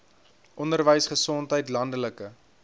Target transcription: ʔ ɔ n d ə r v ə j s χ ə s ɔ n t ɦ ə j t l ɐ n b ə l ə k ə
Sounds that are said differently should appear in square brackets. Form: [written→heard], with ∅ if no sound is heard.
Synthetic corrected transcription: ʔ ɔ n d ə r v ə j s χ ə s ɔ n t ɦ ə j t l ɐ n [b→d] ə l ə k ə

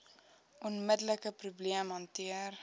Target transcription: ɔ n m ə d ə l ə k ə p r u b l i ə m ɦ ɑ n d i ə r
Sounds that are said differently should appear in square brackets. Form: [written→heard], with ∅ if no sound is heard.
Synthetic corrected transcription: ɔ n m ə d ə l ə k ə p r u b l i ə m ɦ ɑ n [d→t] i ə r

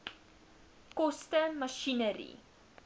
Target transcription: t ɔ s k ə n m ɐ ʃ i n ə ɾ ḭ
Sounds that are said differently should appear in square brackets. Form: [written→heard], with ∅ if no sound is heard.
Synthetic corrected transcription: [t→k] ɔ s [k→t] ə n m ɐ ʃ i n ə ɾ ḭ

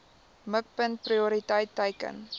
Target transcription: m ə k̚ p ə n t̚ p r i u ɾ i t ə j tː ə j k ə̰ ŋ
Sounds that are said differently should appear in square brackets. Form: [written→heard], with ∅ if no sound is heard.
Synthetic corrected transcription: m ə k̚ p ə n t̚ p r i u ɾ i t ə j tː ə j k ə̰ [ŋ→n]

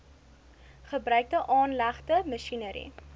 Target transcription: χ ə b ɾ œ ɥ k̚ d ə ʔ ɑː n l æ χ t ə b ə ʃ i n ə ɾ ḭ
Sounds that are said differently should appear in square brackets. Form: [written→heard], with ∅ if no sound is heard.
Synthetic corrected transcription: χ ə b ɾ œ ɥ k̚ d ə ʔ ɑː n l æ χ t ə [b→m] ə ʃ i n ə ɾ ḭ

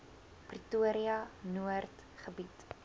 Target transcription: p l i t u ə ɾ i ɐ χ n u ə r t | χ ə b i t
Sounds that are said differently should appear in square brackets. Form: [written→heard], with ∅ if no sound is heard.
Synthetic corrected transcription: p [l→r] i t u ə ɾ i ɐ [χ→∅] n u ə r t | χ ə b i t

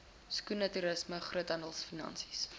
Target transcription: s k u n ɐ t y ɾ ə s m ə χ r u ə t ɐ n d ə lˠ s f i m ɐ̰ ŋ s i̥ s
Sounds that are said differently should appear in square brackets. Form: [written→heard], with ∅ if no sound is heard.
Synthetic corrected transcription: s k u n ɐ t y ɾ ə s m ə χ r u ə t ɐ n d ə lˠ s f i [m→n] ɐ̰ [ŋ→n] s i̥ s

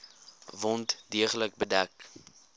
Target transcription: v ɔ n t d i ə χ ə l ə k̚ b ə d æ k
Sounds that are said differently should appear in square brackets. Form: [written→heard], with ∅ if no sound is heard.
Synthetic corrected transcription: v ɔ n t d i ə χ ə l ə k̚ b ə d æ k

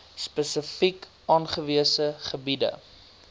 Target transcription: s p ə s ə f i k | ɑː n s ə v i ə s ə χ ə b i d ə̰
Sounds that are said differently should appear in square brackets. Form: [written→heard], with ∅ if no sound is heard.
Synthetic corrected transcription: s p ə s ə f i k | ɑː n [s→χ] ə v i ə s ə χ ə b i d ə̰

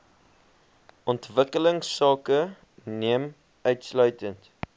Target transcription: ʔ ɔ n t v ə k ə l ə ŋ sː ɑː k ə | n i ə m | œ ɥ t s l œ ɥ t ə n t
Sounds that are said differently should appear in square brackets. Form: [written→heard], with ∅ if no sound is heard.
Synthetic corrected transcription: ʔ ɔ n t v ə k ə l ə ŋ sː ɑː k ə | n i ə m | œ ɥ t s l œ ɥ t ə n t

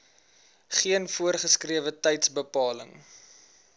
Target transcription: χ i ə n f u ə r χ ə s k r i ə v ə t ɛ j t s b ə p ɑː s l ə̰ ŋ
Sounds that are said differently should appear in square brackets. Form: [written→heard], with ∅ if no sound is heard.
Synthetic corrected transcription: χ i ə n f u ə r χ ə s k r i ə v ə t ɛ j t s b ə p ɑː [s→∅] l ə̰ ŋ

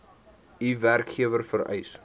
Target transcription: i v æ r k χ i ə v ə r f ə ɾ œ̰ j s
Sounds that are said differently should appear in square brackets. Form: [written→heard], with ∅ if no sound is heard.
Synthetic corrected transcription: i v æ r k χ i ə v ə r f ə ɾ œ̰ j s

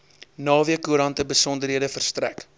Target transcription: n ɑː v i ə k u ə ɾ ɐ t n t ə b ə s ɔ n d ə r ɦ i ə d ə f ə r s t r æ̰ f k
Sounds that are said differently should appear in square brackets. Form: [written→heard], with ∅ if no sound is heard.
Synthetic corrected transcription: n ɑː v i ə k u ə ɾ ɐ [t→∅] n t ə b ə s ɔ n d ə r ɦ i ə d ə f ə r s t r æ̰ [f→∅] k

